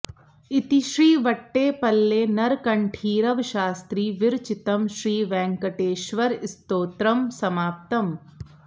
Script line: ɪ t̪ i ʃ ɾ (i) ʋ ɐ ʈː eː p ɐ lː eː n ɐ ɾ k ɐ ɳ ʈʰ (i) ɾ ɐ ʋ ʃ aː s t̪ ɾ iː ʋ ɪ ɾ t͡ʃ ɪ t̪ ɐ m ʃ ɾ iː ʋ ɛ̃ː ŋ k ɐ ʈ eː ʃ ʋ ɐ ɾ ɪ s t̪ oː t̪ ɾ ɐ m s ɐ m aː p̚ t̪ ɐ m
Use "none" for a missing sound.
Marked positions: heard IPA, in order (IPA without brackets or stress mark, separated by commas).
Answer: iː, iː